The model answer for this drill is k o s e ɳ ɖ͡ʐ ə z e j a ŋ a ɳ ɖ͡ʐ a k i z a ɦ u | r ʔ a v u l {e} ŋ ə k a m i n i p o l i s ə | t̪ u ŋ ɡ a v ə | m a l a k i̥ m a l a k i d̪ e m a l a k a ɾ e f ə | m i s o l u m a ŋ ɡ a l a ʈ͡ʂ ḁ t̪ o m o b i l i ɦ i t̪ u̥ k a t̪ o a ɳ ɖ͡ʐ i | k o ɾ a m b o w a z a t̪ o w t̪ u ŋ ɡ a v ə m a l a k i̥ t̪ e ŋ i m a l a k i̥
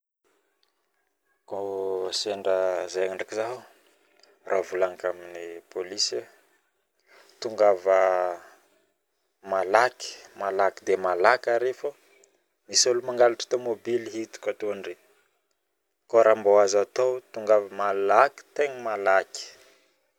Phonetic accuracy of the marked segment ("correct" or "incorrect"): incorrect